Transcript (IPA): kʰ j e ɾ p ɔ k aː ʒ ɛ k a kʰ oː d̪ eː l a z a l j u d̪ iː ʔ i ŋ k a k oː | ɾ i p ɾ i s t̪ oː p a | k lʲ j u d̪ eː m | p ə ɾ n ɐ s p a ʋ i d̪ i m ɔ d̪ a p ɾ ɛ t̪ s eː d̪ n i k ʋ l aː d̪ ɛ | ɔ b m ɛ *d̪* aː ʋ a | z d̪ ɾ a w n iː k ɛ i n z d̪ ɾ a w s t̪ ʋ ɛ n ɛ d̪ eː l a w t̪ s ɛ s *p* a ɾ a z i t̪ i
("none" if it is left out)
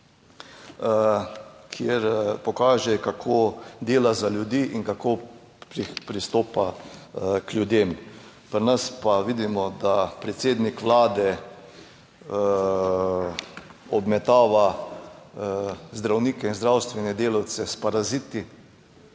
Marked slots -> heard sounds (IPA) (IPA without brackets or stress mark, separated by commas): t̪, p